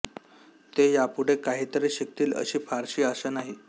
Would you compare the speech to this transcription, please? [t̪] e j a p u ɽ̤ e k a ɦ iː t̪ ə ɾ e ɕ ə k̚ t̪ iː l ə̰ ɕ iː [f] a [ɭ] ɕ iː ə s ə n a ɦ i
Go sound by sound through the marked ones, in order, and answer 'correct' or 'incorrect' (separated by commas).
correct, correct, incorrect